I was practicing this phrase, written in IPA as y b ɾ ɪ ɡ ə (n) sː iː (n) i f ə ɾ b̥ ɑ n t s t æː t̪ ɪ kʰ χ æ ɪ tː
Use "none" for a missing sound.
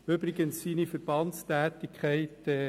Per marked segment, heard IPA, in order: n, n

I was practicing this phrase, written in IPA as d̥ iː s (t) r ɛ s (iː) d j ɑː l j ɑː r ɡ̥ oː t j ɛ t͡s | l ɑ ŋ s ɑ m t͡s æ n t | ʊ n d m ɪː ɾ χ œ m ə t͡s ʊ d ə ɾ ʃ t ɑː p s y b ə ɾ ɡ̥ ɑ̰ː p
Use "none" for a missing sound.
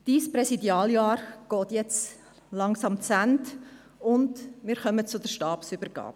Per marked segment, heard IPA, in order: p, i

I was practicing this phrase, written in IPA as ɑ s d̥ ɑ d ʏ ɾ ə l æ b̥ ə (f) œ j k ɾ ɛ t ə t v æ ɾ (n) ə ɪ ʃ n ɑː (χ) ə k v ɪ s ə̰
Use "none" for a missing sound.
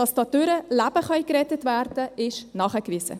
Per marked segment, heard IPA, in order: χ, d, χ

